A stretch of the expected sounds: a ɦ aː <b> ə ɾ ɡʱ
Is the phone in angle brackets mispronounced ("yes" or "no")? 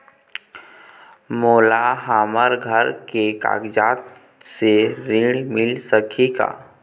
yes